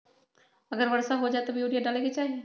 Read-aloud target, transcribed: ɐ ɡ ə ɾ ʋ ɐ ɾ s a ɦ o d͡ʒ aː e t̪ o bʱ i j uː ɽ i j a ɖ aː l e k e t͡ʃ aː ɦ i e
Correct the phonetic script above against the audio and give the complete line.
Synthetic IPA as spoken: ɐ ɡ ə ɾ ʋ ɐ ɾ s a ɦ o d͡ʒ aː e t̪ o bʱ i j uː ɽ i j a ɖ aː l e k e t͡ʃ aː ɦ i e